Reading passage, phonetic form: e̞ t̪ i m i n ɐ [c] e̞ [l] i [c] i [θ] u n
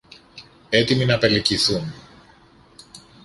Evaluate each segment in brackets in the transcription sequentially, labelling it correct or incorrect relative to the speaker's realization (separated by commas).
incorrect, correct, correct, correct